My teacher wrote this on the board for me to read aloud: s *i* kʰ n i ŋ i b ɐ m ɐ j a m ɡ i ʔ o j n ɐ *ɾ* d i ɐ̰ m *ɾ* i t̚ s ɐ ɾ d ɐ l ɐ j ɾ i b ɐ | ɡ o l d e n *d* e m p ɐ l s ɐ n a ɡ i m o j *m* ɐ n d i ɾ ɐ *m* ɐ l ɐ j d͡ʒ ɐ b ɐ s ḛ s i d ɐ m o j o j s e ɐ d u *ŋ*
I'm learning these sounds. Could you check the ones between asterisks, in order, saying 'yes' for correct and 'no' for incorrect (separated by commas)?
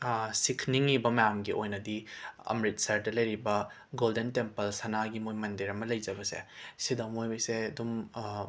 yes, no, yes, no, yes, yes, no